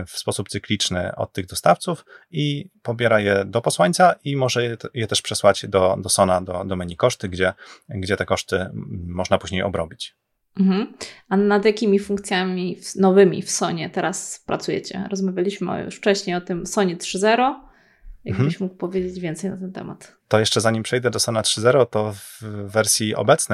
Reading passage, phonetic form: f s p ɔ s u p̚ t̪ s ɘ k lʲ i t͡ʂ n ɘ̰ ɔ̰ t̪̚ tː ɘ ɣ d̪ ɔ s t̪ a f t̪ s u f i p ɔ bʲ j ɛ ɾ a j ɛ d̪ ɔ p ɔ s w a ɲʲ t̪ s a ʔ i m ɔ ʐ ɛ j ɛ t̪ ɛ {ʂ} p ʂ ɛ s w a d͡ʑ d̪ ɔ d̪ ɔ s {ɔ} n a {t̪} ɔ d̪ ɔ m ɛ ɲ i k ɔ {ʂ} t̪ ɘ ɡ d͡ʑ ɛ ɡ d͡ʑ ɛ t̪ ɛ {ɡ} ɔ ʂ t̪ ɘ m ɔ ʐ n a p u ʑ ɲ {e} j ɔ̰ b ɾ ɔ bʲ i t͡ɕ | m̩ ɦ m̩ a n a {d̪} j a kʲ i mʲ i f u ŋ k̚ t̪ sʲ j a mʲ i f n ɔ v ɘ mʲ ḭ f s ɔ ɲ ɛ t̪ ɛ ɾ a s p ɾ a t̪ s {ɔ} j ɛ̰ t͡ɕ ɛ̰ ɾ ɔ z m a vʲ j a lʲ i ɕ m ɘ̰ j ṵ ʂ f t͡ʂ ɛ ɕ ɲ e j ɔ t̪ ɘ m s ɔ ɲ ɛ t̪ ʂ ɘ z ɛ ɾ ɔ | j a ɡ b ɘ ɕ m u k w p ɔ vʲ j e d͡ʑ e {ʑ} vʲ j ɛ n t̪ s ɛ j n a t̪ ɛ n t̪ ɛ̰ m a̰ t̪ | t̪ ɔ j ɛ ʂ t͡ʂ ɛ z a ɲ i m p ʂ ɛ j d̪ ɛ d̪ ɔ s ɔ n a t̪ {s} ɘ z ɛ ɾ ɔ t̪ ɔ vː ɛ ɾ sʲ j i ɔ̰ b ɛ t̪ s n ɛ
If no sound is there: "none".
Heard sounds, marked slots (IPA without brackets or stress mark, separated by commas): ʂ, ɔ, d̪, ʂ, k, e, d̪, u, d͡ʑ, ʂ